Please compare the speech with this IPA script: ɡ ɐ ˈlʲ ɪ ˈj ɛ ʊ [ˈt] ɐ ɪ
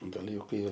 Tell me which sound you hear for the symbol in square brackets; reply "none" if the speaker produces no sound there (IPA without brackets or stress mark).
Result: k